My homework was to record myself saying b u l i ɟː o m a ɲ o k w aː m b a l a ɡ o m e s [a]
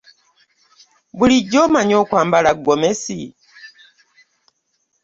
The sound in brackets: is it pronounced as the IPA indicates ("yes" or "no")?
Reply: no